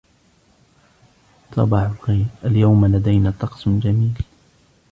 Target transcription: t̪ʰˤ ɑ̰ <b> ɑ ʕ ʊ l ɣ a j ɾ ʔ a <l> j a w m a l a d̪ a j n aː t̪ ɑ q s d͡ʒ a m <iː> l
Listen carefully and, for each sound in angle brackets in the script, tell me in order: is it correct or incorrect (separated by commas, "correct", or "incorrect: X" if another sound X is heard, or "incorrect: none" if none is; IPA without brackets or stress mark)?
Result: correct, correct, correct